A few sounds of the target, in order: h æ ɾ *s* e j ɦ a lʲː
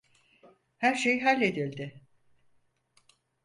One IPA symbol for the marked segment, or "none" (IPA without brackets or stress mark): ʃ